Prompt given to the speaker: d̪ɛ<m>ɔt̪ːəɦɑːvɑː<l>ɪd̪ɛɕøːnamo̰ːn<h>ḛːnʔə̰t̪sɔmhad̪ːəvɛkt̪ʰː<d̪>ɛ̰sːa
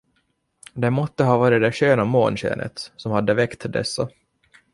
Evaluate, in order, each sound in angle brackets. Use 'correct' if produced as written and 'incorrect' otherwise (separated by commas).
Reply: correct, incorrect, incorrect, correct